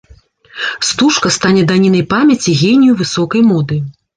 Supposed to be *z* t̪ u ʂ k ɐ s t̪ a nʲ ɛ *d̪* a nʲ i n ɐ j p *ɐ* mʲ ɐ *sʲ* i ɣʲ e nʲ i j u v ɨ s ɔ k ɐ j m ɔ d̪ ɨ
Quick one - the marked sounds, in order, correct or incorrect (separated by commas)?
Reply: incorrect, correct, incorrect, incorrect